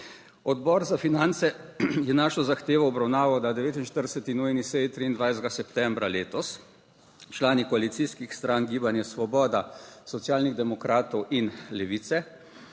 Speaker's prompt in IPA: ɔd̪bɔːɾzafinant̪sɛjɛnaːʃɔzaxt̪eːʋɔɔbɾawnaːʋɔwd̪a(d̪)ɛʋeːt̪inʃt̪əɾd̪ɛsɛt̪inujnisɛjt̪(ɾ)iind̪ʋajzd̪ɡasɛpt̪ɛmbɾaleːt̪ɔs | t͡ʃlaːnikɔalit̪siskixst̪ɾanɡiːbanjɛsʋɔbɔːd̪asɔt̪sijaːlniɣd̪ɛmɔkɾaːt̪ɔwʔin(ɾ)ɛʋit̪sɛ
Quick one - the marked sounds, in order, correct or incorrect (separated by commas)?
correct, correct, incorrect